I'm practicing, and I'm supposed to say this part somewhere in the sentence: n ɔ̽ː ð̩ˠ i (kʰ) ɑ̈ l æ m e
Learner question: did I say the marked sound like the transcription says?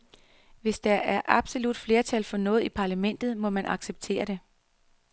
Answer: no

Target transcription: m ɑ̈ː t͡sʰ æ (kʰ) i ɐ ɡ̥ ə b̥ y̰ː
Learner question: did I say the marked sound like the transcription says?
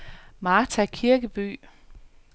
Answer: yes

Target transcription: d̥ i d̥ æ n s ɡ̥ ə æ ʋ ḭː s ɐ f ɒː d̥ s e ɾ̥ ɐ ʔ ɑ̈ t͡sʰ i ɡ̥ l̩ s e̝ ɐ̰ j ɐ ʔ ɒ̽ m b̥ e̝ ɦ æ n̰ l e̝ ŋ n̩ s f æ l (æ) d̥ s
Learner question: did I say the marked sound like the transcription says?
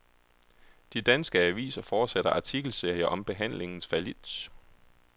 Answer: no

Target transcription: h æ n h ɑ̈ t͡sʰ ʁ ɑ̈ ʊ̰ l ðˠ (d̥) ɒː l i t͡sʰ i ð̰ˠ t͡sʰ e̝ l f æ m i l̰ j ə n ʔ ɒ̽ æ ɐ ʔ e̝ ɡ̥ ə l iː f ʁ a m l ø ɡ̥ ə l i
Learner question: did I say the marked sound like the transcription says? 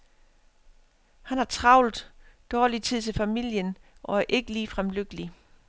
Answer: yes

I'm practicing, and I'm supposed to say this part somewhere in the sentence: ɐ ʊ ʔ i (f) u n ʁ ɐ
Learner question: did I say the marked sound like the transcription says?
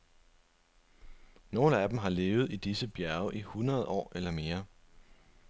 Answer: no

